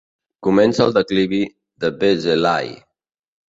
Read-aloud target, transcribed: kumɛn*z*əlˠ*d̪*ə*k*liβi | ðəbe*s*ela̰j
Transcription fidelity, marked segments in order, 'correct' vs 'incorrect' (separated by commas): incorrect, correct, correct, incorrect